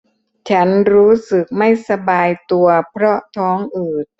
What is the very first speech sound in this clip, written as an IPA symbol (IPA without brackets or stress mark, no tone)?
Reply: t͡ɕʰ